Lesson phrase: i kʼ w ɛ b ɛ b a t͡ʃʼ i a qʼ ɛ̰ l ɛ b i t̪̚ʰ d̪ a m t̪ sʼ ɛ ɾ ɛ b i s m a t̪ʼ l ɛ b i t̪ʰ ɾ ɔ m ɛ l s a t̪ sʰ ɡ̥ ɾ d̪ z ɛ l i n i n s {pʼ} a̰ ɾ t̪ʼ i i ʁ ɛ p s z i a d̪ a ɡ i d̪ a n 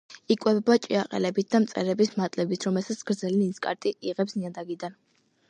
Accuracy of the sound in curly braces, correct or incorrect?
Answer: incorrect